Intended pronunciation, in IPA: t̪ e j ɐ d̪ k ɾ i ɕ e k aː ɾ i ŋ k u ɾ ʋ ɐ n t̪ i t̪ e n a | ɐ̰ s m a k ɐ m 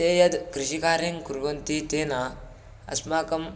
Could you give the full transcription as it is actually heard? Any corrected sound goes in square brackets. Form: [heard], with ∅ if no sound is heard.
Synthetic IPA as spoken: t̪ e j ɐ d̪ k ɾ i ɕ [i] k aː ɾ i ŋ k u ɾ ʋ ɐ n t̪ i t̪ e n a | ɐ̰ s m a k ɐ m